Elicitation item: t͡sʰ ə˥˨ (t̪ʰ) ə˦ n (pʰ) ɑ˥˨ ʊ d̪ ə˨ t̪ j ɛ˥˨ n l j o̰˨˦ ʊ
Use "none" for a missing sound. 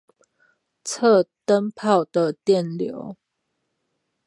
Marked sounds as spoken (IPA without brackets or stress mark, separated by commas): t̪, pʰ